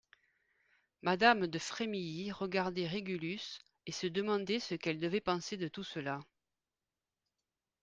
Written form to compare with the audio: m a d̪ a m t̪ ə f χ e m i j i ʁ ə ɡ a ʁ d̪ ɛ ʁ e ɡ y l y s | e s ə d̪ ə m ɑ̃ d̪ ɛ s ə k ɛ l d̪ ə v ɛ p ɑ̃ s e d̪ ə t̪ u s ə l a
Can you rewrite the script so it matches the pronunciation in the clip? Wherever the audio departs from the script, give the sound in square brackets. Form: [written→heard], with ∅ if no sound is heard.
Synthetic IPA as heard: m a d̪ a m [t̪→d̪] ə f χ e m i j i ʁ ə ɡ a ʁ d̪ ɛ ʁ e ɡ y l y s | e s ə d̪ ə m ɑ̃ d̪ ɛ s ə k ɛ l d̪ ə v ɛ p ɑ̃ s e d̪ ə t̪ u s ə l a